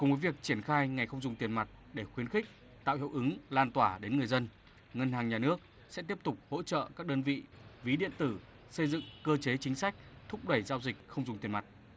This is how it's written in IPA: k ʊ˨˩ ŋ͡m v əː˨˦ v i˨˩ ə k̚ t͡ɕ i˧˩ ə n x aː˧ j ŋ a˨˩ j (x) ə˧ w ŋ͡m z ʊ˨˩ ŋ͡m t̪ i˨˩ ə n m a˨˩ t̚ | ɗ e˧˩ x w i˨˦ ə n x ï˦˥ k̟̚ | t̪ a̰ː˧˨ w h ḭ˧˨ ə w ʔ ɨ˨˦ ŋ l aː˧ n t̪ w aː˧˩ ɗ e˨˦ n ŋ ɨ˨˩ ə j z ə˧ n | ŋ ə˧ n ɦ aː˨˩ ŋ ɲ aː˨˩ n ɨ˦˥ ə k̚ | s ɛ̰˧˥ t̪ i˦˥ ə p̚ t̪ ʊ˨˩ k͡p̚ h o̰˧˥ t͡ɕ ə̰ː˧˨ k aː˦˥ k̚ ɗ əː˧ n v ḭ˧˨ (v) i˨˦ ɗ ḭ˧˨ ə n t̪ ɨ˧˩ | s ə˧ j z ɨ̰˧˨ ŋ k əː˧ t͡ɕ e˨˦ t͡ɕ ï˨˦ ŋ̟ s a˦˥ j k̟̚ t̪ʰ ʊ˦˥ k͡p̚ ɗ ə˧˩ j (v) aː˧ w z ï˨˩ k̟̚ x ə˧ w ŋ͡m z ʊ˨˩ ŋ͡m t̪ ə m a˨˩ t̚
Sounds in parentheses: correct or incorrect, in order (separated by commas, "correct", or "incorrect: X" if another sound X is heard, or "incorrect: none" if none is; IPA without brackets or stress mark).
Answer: correct, correct, incorrect: z